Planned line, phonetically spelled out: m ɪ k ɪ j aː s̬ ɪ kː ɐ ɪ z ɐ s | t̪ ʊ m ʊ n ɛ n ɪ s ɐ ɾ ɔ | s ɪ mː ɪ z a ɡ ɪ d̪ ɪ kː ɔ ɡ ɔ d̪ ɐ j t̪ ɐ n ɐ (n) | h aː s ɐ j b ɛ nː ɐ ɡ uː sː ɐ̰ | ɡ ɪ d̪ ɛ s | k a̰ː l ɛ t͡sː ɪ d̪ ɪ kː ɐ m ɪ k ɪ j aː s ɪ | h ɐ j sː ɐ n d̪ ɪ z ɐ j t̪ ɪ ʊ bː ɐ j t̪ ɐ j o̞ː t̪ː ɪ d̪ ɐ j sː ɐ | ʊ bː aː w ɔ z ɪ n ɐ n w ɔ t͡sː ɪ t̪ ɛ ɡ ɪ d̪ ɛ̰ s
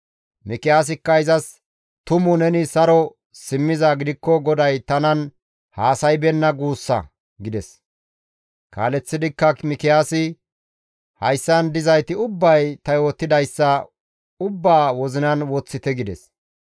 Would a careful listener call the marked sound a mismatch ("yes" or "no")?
no